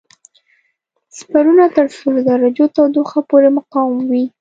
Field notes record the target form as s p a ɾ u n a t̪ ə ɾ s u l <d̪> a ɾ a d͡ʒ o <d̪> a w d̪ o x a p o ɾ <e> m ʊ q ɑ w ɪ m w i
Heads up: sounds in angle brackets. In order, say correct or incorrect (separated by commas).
correct, incorrect, correct